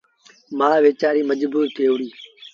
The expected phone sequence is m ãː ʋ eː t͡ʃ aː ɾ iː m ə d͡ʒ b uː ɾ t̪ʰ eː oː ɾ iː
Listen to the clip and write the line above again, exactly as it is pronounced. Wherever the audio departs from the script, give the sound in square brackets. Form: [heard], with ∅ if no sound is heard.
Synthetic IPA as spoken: m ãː ʋ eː t͡ʃ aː ɾ iː m ə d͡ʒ b uː ɾ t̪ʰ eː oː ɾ iː